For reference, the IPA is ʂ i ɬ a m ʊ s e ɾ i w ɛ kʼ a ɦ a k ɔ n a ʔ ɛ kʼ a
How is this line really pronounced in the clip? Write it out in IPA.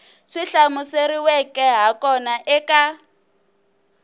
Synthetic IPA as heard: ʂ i ɬ a m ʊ s e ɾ i w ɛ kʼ ɛ ɦ a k ɔ n a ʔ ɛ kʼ a